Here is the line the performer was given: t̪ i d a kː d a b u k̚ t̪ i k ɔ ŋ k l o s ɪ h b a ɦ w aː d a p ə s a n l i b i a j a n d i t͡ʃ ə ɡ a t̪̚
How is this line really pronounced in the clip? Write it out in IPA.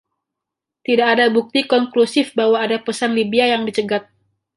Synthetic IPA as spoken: t̪ i d a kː d a b u k̚ t̪ i k ɔ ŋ k l u s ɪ f b a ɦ w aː d a p ə s a n l i b i a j a ŋ d i t͡ʃ ə ɡ a t̪̚